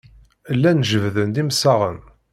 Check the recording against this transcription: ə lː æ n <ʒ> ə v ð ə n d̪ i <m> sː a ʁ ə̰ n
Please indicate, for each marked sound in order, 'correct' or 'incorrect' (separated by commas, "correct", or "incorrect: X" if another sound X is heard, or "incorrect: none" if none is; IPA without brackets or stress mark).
correct, correct